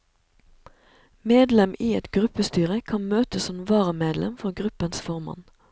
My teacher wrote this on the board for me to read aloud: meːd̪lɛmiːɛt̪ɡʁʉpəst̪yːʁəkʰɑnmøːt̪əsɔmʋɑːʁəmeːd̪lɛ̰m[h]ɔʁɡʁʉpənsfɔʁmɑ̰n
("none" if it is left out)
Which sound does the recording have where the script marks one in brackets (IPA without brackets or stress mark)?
f